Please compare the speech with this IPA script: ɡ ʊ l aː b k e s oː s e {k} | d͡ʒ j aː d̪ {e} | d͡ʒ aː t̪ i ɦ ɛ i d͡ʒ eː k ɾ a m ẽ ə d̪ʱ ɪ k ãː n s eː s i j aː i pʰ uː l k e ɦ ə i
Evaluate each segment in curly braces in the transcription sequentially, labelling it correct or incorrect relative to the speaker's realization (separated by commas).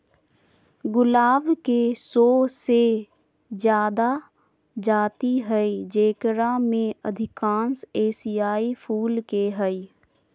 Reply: incorrect, incorrect